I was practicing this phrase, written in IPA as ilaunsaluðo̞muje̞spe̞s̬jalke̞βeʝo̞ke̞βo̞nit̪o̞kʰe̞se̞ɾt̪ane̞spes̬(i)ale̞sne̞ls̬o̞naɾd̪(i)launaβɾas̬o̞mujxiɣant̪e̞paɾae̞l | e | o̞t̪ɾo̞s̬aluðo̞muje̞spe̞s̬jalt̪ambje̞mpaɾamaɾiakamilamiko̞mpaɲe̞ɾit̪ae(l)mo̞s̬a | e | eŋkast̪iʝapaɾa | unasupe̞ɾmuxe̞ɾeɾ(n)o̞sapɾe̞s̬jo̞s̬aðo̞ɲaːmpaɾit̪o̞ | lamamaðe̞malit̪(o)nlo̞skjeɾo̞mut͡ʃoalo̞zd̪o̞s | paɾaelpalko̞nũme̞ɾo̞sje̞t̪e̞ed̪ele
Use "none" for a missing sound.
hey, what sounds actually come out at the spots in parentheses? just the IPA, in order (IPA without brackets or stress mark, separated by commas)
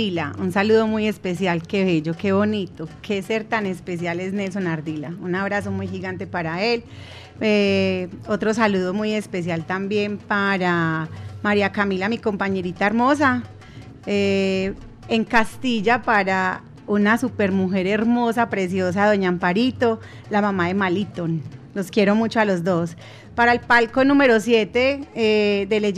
j, i, ɾ, m, o